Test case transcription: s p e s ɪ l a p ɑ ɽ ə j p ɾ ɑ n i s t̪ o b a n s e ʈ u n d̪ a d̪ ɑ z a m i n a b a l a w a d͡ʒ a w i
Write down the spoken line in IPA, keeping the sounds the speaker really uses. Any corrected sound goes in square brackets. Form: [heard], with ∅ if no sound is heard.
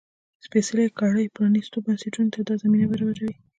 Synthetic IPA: s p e s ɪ l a [k] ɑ ɽ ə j p ɾ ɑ n i s t̪ o b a n s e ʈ u n [t̪] a d̪ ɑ z a m i n a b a [ɾ] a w a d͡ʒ a w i